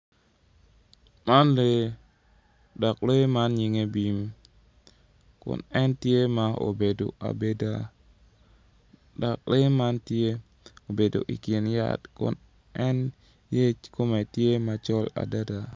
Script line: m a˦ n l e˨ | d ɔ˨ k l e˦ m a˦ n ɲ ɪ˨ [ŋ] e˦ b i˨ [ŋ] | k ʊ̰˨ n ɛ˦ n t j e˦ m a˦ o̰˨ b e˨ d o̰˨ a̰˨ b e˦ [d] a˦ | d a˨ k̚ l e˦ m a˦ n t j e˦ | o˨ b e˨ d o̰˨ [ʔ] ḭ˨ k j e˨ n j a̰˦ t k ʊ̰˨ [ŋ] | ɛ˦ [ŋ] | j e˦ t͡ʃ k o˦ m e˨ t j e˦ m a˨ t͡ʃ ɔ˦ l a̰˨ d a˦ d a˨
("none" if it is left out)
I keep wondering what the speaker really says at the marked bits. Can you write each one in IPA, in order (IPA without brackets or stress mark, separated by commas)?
ŋ, m, d, ʔ, n, n